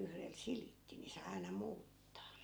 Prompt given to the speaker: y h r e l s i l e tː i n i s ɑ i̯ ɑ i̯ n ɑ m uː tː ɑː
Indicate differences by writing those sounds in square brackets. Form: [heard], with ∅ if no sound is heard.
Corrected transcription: y h r e l s i l [i] tː i n i s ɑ i̯ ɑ i̯ n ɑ m uː tː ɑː

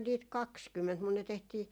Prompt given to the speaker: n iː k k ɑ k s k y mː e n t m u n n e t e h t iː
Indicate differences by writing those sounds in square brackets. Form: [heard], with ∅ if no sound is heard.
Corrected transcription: n iː [t] k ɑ k s k y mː e n t m u n n e t e h t iː

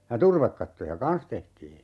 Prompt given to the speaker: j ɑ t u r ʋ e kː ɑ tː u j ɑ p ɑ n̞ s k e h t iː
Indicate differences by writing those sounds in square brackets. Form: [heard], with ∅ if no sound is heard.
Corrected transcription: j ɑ t u r ʋ e kː ɑ tː [o] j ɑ [k] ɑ n̞ s [t] e h t iː

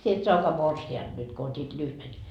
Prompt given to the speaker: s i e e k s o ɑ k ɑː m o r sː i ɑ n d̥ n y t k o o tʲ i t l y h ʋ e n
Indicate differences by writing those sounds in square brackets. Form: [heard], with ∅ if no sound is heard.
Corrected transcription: s i e e [t] s o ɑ k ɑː m o r [s] i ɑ n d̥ n y t k o o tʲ i t l y h ʋ e n

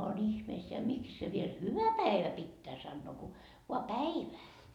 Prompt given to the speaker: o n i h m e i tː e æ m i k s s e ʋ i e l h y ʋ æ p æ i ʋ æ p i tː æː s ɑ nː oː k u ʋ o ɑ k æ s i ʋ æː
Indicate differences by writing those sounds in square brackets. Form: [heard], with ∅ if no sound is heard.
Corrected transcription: o n i h m e i [sː] e æ m i k s s e ʋ i e l h y ʋ æ p æ i ʋ æ p i tː æː s ɑ nː oː k u ʋ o ɑ [p] æ [∅] i ʋ æː

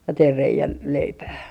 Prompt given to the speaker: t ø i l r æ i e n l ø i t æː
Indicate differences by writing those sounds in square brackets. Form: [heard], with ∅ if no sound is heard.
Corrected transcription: t [e] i [r] r [e] i [æ] n l [e] i [p] æː

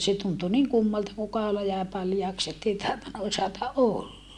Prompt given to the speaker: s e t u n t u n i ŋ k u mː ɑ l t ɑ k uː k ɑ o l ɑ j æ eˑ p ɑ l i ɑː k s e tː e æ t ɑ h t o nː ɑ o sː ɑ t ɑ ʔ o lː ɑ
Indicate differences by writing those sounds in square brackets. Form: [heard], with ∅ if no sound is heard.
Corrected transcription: s e t u n t u n i ŋ k u mː ɑ l t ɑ k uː k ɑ o l ɑ j æ eˑ p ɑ l [j] ɑː k s e tː e [i] t ɑ h t o nː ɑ o [s] ɑ t ɑ ʔ o lː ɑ

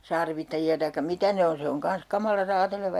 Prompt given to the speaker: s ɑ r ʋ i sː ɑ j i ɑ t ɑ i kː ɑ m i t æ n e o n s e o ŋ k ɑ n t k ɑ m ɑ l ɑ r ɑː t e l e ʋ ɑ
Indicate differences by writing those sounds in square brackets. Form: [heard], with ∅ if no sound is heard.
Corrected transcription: s ɑ r ʋ i [tː] ɑ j i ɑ t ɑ i kː ɑ m i t æ n e o n s e o ŋ k ɑ n [s] k ɑ m ɑ l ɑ r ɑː t e l e ʋ ɑ

